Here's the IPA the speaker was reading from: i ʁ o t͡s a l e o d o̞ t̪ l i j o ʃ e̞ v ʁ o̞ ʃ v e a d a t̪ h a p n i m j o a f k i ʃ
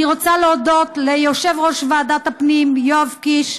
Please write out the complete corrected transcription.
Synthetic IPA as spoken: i ʁ o t͡s a l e o d o̞ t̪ l e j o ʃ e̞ v ʁ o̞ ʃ v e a d a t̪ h a p n i m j o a v k i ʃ

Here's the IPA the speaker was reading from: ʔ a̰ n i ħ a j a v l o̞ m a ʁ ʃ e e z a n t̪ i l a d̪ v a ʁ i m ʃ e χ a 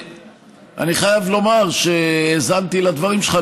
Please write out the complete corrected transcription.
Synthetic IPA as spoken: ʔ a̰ n i χ a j a v l o̞ m a ʁ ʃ e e z a n t̪ i l a d̪ v a ʁ i m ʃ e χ a

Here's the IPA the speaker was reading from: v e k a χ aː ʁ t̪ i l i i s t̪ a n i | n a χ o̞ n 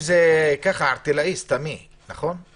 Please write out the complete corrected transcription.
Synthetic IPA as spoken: z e k a χ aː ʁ t̪ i l a i s t̪ a m i | n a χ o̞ n

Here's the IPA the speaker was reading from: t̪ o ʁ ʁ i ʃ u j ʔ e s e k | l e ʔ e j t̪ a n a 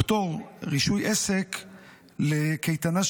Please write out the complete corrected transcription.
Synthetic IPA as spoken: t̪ o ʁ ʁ i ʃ u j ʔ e s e k | l e k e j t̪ a n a

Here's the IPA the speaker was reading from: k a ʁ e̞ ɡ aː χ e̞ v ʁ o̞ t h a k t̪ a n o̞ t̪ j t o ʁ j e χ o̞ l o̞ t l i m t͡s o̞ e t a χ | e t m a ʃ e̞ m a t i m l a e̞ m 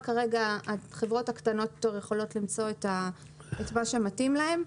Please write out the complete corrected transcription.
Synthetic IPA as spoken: k a ʁ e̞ ɡ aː χ e̞ v ʁ o̞ t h a k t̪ a n o̞ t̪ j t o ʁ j e χ o̞ l o̞ t l i m t͡s o̞ e t a | e t m a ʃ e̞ m a t i m l a e̞ m

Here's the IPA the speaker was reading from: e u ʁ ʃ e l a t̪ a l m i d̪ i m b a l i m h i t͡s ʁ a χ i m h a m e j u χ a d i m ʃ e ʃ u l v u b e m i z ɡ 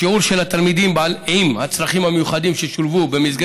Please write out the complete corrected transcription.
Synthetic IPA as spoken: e u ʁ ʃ e l a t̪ a l m i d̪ i m b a l i m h a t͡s ʁ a χ i m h a m e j u χ a d i m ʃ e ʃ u l v u b e m i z ɡ

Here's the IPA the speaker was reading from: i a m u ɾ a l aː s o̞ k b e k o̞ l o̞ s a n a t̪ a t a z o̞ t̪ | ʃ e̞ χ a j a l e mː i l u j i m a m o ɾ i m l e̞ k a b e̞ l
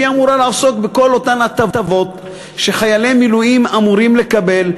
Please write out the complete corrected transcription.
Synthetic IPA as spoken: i a m u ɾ a l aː s o̞ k b e k o̞ l o̞ t a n a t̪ a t a v o̞ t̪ | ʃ e̞ χ a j a l e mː i l u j i m a m u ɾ i m l e̞ k a b e̞ l

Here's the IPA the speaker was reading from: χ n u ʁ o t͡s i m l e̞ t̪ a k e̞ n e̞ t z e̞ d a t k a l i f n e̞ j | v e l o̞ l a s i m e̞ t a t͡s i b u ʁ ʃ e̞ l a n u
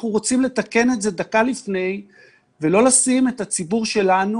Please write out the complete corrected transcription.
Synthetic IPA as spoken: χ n u ʁ o t͡s i m l e̞ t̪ a k e̞ n e̞ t z e̞ d a k a l i f n e̞ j | v e l o̞ l a s i m e̞ t a t͡s i b u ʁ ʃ e̞ l a n u

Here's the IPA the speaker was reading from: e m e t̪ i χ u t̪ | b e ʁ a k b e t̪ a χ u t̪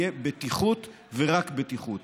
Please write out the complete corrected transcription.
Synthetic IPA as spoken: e b e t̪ i χ u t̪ | v e ʁ a k b e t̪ i χ u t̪

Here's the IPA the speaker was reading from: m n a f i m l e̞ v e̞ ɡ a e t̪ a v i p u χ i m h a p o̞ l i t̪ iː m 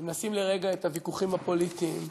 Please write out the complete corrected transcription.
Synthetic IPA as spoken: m n a s i m l e̞ ʁ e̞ ɡ a e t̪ a v i k u χ i m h a p o̞ l i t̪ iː m

